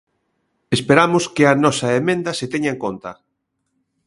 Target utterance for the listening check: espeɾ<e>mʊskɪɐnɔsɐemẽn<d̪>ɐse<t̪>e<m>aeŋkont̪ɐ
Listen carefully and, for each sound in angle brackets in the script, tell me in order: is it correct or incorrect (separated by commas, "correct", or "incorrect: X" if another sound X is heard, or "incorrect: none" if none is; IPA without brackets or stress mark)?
incorrect: a, correct, correct, incorrect: ɲ